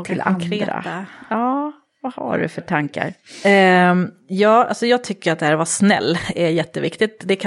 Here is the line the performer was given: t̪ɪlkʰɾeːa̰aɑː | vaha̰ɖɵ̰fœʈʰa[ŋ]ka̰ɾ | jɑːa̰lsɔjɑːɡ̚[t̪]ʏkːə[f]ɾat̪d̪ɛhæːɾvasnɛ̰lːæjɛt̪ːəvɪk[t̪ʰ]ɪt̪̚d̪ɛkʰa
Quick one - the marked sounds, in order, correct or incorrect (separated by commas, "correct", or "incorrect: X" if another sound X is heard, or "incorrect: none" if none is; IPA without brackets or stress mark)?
correct, incorrect: t̪ʰ, incorrect: none, incorrect: t̪